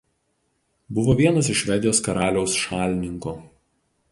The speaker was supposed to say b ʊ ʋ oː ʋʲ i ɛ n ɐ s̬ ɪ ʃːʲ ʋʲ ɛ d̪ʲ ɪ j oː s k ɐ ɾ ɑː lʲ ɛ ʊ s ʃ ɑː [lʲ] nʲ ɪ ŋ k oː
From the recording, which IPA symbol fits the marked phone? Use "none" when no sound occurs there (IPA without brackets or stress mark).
lʲ